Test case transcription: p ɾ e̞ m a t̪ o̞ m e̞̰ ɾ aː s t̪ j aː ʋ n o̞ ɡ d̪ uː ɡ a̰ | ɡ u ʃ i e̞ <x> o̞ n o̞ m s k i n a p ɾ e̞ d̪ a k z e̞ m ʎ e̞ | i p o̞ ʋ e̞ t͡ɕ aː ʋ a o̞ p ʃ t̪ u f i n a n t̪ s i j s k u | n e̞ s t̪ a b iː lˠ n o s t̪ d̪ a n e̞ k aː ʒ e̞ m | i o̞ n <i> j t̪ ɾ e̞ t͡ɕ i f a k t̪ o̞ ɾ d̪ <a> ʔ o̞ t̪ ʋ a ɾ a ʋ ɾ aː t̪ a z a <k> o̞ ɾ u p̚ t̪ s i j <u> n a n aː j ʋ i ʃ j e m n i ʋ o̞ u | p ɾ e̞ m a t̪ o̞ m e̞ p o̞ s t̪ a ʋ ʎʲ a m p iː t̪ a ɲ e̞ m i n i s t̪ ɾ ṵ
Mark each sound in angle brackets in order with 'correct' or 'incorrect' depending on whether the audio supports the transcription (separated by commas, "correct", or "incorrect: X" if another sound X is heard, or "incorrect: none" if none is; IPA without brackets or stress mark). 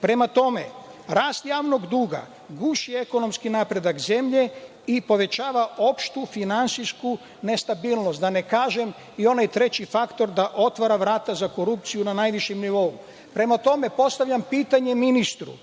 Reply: incorrect: k, incorrect: a, correct, correct, correct